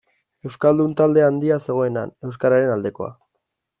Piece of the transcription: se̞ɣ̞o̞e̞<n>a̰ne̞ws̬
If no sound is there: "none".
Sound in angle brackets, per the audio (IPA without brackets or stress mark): n